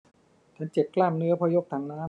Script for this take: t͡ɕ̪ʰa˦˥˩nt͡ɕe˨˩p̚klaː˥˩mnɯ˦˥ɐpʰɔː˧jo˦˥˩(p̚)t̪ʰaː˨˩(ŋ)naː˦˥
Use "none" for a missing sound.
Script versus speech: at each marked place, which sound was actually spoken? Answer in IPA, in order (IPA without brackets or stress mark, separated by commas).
k̚, ŋ